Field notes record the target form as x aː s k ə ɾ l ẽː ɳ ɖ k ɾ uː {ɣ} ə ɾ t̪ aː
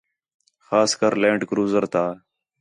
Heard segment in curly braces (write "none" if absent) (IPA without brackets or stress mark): z